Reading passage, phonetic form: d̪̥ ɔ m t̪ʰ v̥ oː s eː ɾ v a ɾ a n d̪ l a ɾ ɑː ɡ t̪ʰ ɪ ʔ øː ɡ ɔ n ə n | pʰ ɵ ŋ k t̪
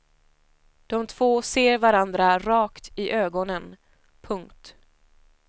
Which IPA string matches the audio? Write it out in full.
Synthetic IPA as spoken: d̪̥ ɔ m t̪ʰ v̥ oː s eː ɾ v a ɾ a n d̪ ɾ a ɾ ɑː k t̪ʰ ɪ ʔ øː ɡ ɔ n ə n | pʰ ɵ ŋ k t̪